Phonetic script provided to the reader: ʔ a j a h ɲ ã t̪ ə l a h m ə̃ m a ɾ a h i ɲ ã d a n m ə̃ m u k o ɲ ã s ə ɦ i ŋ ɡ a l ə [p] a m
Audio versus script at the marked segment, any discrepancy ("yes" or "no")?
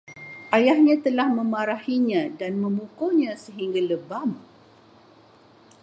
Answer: yes